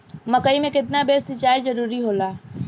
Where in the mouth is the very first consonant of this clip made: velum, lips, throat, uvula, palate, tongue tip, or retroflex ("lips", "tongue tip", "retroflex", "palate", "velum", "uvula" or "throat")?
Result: lips